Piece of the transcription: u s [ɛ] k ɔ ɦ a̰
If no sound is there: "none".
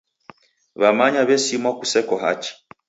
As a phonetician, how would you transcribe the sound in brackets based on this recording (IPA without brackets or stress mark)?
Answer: ɛ